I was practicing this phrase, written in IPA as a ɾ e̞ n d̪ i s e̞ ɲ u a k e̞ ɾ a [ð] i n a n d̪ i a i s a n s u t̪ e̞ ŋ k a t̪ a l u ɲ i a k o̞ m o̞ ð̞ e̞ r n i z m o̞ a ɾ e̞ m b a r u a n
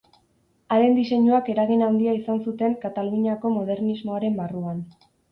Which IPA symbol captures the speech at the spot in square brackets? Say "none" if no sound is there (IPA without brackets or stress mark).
ɣ